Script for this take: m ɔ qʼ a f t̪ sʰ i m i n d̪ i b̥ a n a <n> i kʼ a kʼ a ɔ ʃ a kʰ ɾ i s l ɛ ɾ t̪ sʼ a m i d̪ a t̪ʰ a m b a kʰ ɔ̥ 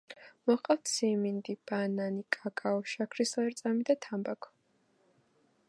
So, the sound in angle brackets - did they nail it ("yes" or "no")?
yes